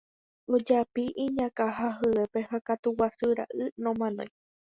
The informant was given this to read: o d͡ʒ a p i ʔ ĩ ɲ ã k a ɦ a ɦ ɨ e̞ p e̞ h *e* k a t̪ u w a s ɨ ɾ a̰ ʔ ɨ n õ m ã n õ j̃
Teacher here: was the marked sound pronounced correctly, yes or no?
no